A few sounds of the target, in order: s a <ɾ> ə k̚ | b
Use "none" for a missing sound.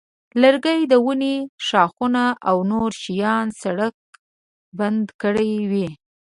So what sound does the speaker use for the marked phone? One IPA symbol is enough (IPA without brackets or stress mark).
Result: ɽ